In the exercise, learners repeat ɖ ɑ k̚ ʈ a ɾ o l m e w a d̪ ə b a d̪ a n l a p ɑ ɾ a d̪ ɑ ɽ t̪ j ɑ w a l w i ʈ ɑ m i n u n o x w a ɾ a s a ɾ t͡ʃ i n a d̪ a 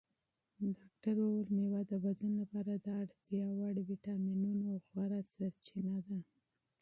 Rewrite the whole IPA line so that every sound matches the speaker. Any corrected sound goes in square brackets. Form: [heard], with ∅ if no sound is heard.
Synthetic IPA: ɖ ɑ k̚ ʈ a ɾ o l m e w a d̪ ə b a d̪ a n l a p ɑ ɾ a d̪ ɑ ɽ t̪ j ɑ w a [ɽ] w i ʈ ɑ m i n u n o x w a ɾ a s a ɾ t͡ʃ i n a d̪ a